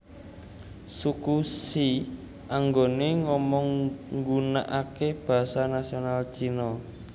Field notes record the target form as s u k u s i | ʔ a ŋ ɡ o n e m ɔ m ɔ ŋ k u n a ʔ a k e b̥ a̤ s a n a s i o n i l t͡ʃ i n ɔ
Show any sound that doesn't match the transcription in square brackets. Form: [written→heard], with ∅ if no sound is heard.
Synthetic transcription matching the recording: s u k u s i | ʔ a ŋ ɡ o n e [m→ŋ] ɔ m ɔ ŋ [k→ɡ] u n a ʔ a k e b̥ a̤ s a n a s i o n [i→a] l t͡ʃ i n ɔ